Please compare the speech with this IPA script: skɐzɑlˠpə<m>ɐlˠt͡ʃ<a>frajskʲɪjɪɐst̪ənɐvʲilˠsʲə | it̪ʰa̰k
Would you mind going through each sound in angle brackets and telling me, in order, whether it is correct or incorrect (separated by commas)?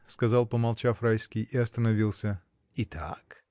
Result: correct, correct